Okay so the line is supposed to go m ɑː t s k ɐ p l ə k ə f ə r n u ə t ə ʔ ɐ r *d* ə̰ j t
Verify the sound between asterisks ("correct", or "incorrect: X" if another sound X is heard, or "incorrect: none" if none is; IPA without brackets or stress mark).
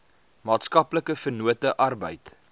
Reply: incorrect: b